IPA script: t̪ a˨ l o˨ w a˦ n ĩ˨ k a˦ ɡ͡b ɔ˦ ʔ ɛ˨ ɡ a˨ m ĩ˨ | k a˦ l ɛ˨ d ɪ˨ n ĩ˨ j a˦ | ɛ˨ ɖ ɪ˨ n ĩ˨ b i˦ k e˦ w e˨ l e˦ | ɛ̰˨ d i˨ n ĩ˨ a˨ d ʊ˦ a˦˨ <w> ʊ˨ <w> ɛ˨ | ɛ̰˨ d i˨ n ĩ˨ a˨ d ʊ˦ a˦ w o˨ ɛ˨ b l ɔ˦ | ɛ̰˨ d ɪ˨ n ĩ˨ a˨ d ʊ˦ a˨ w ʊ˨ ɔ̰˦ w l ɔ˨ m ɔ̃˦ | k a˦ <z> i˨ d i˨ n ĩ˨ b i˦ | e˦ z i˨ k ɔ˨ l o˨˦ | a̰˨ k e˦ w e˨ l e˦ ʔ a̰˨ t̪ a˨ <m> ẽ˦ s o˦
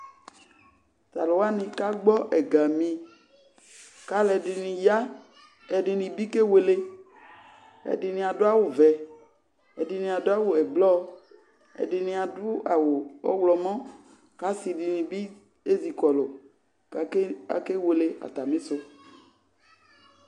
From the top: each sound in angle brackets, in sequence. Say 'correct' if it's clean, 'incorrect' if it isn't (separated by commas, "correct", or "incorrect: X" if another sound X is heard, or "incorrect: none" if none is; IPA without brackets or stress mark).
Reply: correct, incorrect: v, incorrect: s, correct